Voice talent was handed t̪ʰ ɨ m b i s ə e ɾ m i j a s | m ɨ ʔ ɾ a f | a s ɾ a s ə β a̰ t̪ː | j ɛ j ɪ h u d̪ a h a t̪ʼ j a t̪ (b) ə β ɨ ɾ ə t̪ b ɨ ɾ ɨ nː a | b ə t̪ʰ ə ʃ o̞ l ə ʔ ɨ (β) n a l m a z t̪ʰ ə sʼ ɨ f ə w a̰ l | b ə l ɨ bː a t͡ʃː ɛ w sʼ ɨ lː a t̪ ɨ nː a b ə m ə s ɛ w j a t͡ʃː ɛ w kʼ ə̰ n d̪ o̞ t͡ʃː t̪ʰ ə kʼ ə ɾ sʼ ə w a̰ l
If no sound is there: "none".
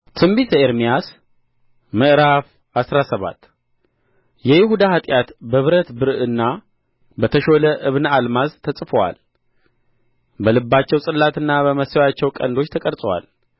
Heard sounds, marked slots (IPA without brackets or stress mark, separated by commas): b, β